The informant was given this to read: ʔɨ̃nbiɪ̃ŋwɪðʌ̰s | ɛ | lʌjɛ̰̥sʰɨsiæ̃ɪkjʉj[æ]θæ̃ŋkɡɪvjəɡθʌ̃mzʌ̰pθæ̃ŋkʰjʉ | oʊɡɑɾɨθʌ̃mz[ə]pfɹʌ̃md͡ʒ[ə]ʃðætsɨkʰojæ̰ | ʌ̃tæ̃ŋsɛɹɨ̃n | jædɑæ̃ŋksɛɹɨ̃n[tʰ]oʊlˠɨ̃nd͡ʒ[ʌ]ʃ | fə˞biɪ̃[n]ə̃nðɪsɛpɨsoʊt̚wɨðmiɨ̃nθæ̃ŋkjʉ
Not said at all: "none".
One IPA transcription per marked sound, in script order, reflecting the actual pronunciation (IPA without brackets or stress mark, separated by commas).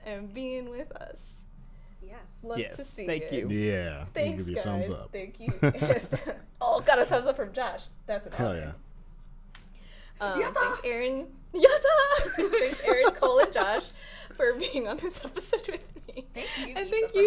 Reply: æ, ʌ, ɑ, kʰ, ɑ, ŋ